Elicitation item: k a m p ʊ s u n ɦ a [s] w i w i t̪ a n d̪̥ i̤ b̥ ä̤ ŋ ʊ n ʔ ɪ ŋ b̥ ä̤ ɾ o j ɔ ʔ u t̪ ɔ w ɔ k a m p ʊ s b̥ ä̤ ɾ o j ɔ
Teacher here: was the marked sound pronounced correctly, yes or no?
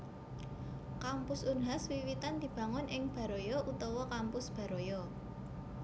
yes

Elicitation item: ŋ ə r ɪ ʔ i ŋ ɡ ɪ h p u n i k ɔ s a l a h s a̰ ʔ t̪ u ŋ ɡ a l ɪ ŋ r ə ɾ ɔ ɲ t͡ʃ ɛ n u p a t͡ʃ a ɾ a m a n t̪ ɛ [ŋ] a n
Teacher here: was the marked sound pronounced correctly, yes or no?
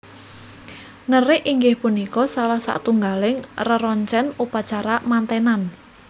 no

